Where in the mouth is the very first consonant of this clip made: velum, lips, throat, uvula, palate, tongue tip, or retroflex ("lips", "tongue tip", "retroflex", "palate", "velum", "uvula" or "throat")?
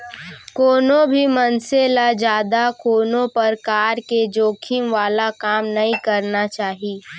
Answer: velum